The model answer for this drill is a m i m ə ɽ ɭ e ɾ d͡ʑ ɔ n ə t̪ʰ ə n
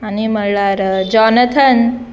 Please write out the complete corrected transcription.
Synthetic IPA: a n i m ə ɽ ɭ a ɾ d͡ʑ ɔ n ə t̪ʰ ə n